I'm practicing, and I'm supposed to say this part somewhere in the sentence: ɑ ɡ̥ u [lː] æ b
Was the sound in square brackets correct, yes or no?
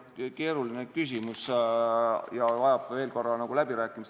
no